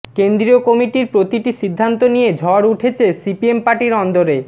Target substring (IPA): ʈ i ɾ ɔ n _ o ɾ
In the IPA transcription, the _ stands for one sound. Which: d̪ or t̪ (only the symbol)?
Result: d̪